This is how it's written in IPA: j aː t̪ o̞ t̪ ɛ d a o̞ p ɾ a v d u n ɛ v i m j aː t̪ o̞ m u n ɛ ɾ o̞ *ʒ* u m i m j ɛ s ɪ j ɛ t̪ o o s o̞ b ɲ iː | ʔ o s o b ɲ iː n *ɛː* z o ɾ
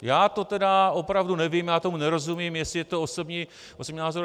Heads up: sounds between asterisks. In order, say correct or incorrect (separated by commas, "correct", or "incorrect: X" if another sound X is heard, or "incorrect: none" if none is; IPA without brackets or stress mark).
incorrect: z, incorrect: aː